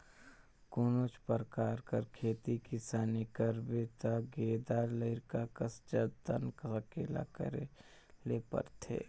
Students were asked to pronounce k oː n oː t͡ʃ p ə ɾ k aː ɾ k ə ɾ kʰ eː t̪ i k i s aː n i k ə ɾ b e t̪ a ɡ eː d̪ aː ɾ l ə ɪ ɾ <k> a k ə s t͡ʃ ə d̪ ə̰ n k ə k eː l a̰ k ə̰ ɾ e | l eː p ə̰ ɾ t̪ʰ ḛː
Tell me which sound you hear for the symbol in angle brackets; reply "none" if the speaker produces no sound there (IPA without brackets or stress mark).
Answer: k